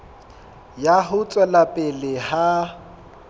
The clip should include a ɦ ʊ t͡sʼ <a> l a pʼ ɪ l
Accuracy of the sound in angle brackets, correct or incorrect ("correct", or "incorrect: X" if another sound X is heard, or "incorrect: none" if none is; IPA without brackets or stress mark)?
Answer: incorrect: ɛ